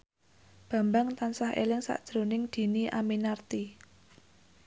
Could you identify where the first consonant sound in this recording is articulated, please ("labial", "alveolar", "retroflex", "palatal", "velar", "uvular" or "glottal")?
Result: labial